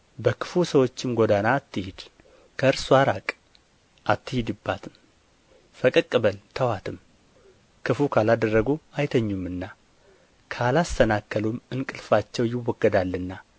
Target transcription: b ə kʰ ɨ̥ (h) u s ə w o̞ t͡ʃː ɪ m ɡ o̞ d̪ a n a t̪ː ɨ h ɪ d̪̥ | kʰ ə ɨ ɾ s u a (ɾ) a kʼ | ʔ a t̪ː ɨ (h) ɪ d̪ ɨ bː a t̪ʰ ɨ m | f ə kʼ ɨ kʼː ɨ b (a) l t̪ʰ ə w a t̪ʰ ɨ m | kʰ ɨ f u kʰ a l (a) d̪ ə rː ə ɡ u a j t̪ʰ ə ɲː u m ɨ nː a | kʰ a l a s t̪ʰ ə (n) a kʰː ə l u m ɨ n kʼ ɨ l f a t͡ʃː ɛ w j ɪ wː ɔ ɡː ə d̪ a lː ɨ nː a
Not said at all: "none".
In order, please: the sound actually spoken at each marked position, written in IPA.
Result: f, ɾ, h, ə, a, n

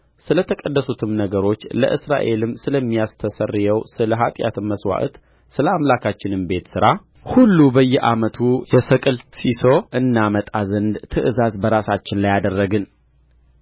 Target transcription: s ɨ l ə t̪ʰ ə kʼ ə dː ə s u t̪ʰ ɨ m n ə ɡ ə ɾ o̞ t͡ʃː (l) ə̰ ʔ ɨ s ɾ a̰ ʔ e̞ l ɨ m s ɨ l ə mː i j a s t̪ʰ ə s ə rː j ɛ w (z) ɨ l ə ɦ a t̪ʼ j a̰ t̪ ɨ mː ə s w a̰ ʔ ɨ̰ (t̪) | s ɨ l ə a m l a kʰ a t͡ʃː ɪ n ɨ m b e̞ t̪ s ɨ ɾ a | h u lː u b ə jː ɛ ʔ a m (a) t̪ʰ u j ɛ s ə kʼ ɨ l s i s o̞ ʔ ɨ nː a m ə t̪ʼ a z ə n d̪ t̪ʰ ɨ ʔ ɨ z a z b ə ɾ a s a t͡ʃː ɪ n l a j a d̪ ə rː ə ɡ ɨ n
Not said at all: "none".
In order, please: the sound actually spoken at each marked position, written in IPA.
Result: l, s, t̪, ə

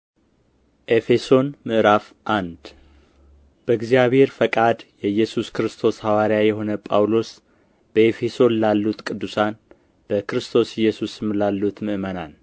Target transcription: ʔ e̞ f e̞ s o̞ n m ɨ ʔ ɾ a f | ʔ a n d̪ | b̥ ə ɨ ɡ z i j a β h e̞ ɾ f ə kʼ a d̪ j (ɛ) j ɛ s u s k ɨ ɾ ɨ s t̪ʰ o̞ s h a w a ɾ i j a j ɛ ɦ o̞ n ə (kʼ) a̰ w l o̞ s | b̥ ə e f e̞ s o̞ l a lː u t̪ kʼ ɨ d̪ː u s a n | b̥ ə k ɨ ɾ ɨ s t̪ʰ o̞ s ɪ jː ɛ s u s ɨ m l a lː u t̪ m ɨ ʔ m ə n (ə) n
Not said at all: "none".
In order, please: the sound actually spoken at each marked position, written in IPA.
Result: ɛ, pʼ, a

